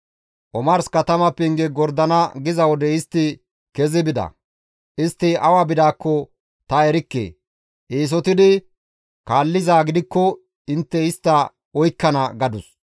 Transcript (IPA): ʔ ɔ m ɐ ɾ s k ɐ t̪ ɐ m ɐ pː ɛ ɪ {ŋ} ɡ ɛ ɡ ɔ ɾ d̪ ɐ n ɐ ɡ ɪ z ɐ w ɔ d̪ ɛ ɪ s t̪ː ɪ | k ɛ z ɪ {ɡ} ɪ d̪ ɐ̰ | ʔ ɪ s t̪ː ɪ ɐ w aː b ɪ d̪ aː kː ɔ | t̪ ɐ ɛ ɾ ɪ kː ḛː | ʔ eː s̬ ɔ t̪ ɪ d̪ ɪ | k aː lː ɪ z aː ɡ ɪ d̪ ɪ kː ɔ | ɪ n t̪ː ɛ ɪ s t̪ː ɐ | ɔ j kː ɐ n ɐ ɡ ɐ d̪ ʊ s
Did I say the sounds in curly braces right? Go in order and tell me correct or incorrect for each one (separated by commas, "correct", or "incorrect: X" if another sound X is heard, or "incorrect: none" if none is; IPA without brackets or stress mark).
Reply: correct, incorrect: b